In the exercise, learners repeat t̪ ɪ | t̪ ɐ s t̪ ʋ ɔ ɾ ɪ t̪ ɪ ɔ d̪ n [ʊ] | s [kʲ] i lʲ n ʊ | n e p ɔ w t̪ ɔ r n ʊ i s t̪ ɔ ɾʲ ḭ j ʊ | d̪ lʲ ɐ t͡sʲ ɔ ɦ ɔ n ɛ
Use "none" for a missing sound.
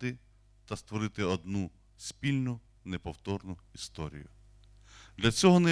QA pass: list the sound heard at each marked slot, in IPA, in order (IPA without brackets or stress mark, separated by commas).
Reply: u, pʲ